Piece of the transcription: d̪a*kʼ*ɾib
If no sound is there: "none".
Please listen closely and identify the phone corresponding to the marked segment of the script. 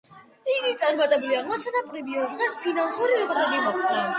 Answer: pʼ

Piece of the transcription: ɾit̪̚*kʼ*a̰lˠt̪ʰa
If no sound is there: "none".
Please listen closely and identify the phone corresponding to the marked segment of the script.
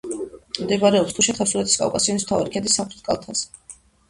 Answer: kʼ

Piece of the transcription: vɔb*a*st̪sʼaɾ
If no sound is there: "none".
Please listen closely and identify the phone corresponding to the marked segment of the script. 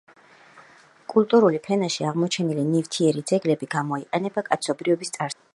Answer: i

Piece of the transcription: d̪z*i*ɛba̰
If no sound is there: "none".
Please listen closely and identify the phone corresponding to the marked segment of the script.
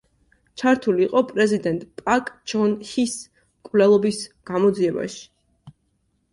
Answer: i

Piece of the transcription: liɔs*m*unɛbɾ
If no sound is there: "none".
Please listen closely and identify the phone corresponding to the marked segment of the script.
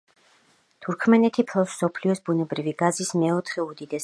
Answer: b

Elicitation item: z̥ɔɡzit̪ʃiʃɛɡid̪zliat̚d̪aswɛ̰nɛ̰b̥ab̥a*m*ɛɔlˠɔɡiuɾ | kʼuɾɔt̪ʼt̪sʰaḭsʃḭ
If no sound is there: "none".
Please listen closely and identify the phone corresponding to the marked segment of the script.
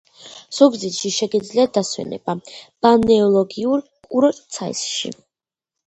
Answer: n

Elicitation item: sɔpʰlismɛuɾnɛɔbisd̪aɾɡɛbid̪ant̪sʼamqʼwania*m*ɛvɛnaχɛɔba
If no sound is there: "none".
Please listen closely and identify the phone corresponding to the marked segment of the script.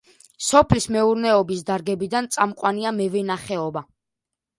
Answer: m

